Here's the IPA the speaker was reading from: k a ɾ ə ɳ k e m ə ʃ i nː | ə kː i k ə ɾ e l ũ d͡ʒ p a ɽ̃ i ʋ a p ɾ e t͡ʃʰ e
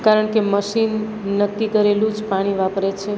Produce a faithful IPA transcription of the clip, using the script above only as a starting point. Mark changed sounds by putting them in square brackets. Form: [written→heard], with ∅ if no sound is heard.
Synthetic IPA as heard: k a ɾ ə ɳ k e m ə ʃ i nː | ə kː i k ə ɾ e l ũ d͡ʒ p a ɽ̃ i ʋ a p ɾ e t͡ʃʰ e